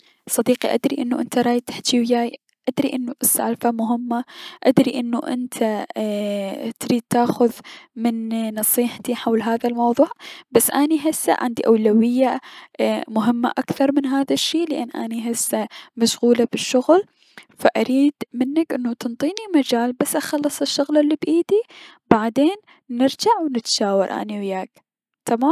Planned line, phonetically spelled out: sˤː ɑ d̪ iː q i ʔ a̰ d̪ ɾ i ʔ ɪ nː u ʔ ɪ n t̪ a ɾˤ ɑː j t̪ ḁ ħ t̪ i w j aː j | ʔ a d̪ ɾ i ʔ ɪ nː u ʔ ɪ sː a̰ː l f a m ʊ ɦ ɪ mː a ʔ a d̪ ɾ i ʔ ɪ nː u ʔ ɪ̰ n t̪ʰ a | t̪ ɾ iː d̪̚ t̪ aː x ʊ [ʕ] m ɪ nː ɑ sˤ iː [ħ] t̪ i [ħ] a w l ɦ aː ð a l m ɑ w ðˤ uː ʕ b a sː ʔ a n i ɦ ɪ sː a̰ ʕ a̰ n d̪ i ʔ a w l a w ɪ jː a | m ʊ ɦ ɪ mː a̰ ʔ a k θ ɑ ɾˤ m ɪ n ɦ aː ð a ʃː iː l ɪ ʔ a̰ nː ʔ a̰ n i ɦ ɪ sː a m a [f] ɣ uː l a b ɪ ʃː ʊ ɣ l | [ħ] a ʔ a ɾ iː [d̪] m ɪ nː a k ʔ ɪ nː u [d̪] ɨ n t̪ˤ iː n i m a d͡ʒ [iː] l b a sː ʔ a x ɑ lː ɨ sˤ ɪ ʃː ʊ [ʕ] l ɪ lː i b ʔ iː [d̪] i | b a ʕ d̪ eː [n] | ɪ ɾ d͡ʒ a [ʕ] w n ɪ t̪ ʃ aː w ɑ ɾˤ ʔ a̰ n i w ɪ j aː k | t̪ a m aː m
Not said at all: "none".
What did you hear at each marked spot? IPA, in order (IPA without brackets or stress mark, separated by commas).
ð, ħ, ħ, ʃ, f, d̪, t̪, aː, ɣ, d̪, nː, ʕ